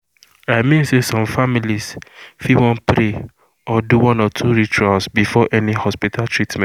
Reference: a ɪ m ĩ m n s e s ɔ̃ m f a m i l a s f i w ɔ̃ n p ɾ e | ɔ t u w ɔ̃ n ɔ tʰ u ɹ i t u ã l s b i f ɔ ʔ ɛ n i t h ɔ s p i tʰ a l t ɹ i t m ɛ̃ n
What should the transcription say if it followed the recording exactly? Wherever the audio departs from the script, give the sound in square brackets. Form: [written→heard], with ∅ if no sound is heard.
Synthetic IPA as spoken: a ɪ m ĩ [m→∅] n s e s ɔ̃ m f a m i l [a→i] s f i w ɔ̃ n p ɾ e | ɔ [t→d] u w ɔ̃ n ɔ tʰ u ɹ i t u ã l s b i f ɔ ʔ ɛ n i [t→∅] h ɔ s p i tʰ a l t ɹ i t m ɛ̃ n